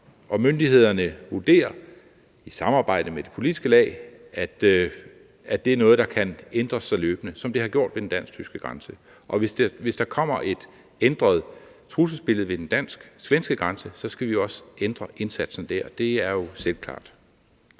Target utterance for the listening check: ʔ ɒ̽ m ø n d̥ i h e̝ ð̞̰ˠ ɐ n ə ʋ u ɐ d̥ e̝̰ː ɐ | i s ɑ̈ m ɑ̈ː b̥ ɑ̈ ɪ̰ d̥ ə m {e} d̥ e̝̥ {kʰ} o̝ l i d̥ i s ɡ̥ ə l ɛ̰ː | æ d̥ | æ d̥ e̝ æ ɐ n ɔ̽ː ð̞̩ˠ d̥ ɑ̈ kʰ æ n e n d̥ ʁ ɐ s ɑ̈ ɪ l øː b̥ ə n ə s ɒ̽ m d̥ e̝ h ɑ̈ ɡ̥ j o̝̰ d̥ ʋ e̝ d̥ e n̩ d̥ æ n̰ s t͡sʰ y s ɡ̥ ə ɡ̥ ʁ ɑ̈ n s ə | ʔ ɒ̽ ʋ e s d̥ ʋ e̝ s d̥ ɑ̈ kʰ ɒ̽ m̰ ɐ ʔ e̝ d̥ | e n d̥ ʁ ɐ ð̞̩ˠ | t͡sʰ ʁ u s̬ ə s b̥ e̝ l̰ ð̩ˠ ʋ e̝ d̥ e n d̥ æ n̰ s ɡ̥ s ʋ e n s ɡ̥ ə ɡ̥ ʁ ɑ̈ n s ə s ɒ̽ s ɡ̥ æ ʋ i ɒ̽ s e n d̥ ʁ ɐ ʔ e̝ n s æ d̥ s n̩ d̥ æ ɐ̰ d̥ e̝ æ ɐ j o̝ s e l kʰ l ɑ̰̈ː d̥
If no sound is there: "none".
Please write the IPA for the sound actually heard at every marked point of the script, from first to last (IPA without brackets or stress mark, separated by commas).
e, pʰ